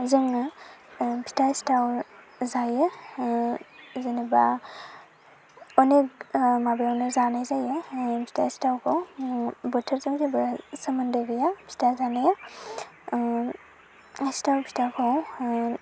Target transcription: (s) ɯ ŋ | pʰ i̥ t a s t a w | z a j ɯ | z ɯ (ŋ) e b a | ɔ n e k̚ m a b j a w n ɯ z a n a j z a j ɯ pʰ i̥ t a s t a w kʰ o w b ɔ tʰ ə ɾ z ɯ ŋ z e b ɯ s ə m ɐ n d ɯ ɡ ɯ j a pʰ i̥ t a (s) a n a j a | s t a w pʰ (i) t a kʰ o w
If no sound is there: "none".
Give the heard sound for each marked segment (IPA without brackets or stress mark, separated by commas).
z, n, z, i